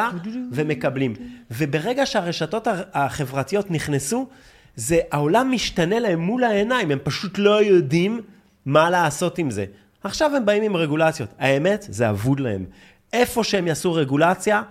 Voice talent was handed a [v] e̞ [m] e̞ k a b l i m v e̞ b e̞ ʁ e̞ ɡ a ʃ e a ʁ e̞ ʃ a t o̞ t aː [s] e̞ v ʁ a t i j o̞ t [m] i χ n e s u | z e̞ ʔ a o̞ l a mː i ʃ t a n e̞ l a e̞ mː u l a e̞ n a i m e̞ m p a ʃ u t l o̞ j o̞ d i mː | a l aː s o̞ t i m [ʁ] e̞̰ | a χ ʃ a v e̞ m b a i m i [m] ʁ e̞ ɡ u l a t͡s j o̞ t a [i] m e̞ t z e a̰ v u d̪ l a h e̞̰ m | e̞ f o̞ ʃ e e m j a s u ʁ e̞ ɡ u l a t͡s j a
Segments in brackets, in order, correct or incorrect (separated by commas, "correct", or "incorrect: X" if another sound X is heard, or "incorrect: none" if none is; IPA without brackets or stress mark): correct, correct, incorrect: χ, incorrect: n, incorrect: z, correct, incorrect: e